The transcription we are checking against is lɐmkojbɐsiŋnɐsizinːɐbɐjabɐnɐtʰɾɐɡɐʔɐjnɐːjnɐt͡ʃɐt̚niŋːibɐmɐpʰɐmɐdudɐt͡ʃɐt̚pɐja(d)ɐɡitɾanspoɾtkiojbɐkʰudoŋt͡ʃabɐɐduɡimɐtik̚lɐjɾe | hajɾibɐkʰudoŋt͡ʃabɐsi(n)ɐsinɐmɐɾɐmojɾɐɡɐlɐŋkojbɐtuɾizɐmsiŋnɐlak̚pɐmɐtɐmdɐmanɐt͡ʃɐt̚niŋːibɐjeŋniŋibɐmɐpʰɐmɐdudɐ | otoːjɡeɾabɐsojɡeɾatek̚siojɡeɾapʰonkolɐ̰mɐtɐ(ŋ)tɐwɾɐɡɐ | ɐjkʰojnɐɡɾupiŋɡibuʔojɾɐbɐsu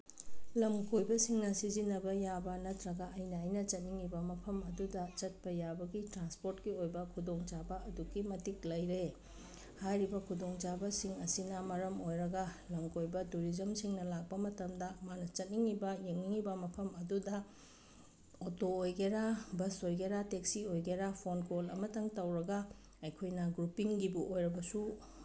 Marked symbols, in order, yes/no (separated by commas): no, no, yes